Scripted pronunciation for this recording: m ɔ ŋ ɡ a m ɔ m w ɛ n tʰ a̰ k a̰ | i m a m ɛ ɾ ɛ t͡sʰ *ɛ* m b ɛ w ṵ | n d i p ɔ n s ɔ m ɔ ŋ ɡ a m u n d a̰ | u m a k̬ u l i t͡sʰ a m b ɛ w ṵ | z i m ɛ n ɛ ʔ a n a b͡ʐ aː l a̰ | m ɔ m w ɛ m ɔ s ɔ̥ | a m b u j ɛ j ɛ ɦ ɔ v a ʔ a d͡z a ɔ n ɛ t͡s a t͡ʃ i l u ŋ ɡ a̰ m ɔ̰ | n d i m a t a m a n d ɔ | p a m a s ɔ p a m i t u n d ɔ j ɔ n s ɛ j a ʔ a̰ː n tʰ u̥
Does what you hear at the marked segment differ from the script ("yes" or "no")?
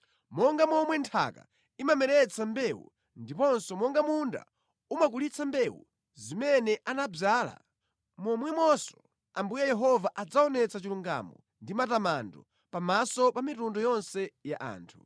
yes